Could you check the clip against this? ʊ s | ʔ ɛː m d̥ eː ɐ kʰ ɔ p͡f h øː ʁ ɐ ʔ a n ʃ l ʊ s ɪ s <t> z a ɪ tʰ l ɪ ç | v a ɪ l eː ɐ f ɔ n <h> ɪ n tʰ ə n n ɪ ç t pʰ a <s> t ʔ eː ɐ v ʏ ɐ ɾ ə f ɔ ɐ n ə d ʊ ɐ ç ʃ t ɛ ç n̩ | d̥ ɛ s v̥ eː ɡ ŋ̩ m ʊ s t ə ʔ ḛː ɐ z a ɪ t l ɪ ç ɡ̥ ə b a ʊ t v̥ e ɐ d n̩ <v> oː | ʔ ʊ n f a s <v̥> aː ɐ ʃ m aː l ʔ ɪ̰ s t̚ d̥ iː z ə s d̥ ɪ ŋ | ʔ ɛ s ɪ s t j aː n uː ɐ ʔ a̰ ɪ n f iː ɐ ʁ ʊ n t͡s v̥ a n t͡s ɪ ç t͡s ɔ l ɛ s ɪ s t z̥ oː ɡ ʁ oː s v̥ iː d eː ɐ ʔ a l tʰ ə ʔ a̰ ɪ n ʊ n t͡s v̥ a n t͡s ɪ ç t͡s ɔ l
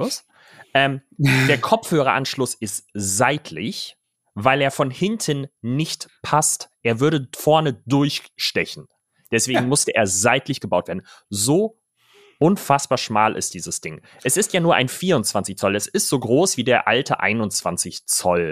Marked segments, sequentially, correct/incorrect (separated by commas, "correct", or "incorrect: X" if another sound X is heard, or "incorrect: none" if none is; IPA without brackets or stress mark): correct, correct, correct, incorrect: z, incorrect: b̥